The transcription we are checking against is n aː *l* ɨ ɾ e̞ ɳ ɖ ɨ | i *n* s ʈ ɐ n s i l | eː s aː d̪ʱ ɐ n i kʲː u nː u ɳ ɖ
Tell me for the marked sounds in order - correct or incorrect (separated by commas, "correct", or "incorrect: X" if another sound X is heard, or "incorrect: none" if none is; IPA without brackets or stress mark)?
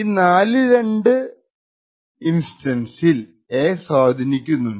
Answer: correct, correct